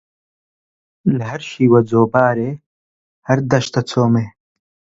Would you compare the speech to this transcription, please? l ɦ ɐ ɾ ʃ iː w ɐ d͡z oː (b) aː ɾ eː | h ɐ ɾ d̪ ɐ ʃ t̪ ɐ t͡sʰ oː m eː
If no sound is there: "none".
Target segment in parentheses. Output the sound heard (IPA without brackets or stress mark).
b